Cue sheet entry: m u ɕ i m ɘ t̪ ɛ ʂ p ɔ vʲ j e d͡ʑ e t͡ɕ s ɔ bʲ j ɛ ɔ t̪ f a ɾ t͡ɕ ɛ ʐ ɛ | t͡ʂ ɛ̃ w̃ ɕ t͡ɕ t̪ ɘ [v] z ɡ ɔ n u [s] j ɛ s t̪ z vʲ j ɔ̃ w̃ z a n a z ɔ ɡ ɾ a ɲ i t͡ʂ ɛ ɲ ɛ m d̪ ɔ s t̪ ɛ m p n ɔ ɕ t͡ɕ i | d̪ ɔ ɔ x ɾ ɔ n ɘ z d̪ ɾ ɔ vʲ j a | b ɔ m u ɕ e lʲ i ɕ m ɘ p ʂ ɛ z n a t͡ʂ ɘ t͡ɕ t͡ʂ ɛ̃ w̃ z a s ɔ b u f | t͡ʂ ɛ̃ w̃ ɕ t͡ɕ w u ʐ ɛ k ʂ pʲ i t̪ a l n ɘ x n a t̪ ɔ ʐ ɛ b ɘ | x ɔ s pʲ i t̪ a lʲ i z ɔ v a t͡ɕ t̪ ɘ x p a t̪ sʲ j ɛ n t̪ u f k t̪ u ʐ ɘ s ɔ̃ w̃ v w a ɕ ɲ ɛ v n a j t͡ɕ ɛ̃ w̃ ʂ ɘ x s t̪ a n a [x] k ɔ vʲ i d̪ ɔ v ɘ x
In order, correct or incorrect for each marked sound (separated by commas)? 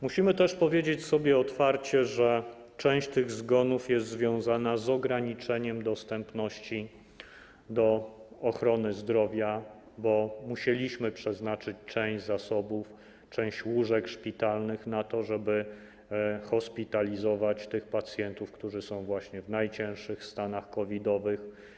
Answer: incorrect, incorrect, correct